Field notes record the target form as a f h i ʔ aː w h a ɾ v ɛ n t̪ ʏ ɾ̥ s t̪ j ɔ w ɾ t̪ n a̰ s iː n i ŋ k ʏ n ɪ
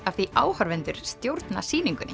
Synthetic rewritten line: a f θ i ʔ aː w h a ɾ v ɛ n t̪ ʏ ɾ̥ s t̪ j o w ɾ t̪ n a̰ s iː n i ŋ k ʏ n ɪ